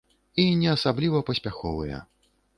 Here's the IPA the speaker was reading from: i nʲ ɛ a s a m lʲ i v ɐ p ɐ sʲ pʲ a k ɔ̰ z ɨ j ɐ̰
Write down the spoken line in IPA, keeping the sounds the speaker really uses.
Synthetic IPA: i nʲ ɛ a s a b lʲ i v ɐ p ɐ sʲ pʲ a x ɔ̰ v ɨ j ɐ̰